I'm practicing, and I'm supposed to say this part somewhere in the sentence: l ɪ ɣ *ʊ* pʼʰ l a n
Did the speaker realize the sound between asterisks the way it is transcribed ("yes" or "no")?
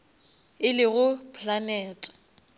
yes